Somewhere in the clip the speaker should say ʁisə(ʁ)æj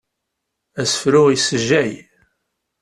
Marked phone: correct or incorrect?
incorrect